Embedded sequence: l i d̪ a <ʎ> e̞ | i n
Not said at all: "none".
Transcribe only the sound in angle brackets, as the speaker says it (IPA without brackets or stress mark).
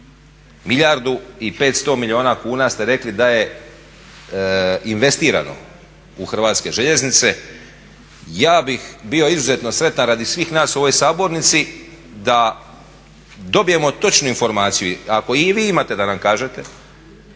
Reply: j